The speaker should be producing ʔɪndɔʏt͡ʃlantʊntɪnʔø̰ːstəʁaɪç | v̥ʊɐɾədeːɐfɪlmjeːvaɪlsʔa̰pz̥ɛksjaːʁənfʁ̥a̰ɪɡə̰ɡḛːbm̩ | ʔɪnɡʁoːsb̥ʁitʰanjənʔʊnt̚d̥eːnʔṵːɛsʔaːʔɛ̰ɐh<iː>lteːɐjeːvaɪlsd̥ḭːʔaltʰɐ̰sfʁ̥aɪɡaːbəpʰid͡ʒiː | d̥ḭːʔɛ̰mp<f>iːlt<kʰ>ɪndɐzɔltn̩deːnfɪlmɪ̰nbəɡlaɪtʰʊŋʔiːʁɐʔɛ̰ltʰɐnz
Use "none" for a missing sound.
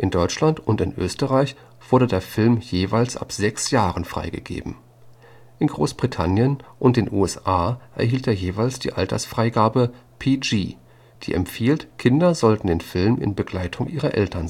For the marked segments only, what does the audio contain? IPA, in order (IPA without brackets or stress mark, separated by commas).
iː, f, kʰ